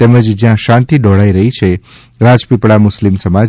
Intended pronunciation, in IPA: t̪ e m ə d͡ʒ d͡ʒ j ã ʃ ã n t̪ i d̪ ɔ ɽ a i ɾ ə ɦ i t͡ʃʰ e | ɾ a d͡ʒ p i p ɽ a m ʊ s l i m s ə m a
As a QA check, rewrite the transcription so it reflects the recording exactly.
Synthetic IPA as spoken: t̪ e m ə d͡ʒ d͡ʒ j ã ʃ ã n t̪ i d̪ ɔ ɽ a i ɾ ə ɦ i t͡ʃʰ e | ɾ a d͡ʒ p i p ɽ a m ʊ s l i m s ə m a

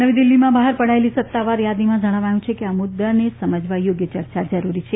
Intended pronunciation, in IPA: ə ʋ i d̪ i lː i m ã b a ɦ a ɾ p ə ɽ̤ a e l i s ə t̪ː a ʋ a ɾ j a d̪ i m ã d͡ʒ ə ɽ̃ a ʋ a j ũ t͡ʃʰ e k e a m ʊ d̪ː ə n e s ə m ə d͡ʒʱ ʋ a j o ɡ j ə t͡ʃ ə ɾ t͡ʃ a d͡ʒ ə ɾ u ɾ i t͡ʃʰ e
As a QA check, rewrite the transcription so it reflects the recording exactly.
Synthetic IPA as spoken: ə ʋ i d̪ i lː i m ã b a ɦ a ɾ p ə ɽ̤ a e l i s ə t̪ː a ʋ a ɾ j a d̪ i m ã d͡ʒ ə ɽ̃ a ʋ a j ũ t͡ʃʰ e k e a m ʊ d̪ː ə n e s ə m ə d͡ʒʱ ʋ a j o ɡ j ə t͡ʃ ə ɾ t͡ʃ a d͡ʒ ə ɾ u ɾ i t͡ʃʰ e

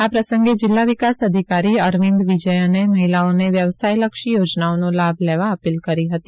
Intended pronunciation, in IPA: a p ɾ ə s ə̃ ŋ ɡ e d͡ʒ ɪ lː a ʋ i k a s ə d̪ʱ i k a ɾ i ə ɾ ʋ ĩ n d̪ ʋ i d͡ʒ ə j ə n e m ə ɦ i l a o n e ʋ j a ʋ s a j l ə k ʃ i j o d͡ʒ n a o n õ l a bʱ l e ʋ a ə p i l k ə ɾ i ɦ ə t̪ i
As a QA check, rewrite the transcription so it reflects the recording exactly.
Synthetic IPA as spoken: a p ɾ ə s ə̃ ŋ ɡ e d͡ʒ ɪ lː a ʋ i k a s ə d̪ʱ i k a ɾ i ə ɾ ʋ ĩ n d̪ ʋ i d͡ʒ ə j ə n e m ə ɦ i l a o n e ʋ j ə ʋ s a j l ə k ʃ i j o d͡ʒ n a o n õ l a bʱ l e ʋ a ə p i l k ə ɾ i ɦ ə t̪ i

